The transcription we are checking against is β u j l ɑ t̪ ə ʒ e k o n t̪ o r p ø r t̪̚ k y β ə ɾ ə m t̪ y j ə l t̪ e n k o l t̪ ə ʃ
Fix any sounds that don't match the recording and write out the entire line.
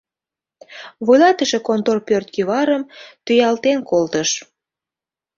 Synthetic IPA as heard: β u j l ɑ t̪ ə ʃ e k o n t̪ o r p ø r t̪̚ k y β ɑ ɾ ə m t̪ y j ɑ l t̪ e n k o l t̪ ə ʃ

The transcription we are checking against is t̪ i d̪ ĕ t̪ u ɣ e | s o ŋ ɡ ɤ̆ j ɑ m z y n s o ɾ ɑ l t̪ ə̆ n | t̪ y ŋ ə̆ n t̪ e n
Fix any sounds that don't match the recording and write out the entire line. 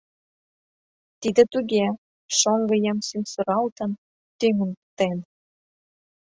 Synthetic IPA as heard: t̪ i d̪ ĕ t̪ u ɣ e | ʃ o ŋ ɡ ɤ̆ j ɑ m s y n s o ɾ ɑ l t̪ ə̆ n | t̪ y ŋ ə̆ n t̪ e n

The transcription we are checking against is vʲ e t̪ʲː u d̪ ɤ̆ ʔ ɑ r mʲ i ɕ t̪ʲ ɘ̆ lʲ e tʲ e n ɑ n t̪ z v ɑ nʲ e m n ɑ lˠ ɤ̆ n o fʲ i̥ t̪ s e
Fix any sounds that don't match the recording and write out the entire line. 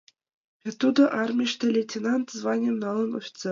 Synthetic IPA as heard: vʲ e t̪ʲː u d̪ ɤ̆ ʔ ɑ r mʲ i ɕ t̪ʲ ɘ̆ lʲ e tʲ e n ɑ n t̪ z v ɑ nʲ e m n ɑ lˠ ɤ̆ n o fʲ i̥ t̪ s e

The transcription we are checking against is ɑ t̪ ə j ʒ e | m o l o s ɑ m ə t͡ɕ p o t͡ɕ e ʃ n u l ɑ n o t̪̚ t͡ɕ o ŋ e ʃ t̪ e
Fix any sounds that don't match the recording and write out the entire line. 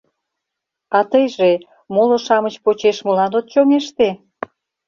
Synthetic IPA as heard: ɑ t̪ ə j ʒ e | m o l o ʃ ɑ m ə t͡ɕ p o t͡ɕ e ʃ m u l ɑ n o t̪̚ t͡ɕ o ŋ e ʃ t̪ e

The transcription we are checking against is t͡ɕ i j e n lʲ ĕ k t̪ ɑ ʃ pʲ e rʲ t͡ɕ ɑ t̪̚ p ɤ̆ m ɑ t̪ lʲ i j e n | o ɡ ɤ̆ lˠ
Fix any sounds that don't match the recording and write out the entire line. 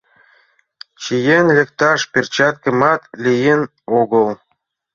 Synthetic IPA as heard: t͡ɕ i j e n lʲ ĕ k t̪ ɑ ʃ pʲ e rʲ t͡ɕ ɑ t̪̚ k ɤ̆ m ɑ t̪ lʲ i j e n | o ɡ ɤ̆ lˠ

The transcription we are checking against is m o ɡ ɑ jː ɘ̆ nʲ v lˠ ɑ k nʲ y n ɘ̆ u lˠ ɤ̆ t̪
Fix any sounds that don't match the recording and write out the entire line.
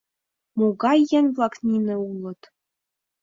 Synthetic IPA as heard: m o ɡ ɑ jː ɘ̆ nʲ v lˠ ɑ k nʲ i n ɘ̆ u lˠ ɤ̆ t̪

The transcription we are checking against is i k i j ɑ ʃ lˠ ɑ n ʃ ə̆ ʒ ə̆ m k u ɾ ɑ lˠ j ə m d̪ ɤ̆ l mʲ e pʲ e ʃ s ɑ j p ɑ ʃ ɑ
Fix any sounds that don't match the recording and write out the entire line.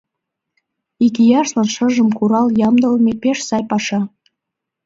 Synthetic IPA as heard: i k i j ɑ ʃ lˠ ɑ n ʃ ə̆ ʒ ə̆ m k u ɾ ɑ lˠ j ɑ m d̪ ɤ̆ l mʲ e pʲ e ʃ s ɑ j p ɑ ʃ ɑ

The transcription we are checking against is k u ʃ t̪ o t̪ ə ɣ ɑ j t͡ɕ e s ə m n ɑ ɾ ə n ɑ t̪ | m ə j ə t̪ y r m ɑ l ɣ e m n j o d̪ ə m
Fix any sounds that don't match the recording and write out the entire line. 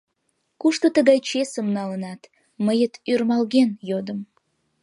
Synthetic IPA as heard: k u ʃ t̪ o t̪ ə ɣ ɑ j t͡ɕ e s ə m n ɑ l ə n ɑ t̪ | m ə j ə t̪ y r m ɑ l ɣ e n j o d̪ ə m

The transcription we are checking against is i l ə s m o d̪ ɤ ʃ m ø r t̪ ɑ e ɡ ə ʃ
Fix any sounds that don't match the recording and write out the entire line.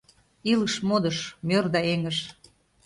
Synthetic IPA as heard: i l ə ʃ m o d̪ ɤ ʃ m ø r d̪ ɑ e ŋ ə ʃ

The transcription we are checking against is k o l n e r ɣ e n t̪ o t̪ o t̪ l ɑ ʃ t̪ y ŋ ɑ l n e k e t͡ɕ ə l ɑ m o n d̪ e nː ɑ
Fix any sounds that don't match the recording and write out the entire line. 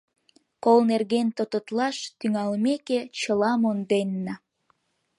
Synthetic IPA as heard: k o l n e r ɣ e n t̪ o t̪ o t̪ l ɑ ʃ t̪ y ŋ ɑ l m e k e t͡ɕ ə l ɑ m o n d̪ e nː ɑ

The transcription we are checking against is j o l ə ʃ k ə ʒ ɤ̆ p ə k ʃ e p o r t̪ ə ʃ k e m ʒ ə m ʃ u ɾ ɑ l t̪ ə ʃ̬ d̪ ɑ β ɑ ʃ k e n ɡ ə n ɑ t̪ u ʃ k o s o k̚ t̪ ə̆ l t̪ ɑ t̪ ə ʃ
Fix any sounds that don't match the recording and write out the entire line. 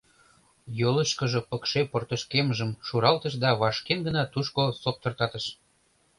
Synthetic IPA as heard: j o l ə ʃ k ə ʒ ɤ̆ p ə k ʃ e p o r t̪ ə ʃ k e m ʒ ə m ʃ u ɾ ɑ l t̪ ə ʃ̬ d̪ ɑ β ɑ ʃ k e n ɡ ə n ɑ t̪ u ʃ k o s o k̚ t̪ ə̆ r t̪ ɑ t̪ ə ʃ

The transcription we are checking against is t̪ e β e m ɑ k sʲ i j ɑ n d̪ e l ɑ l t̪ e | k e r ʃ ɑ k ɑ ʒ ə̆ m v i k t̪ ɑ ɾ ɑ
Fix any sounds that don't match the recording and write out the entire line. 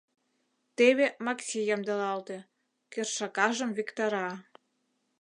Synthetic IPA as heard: t̪ e β e m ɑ k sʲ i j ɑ m d̪ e l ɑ l t̪ e | k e r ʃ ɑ k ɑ ʒ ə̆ m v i k t̪ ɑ ɾ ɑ

